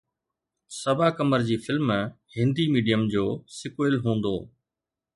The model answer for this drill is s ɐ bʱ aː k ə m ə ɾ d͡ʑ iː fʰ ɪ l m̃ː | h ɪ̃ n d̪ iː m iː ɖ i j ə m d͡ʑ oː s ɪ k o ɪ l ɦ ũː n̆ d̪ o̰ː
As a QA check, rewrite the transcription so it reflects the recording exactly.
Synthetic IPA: s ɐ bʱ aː k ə m ə ɾ d͡ʑ iː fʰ ɪ l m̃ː | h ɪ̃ n d̪ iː m iː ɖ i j ə m d͡ʑ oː s ɪ k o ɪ l ɦ ũː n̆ d̪ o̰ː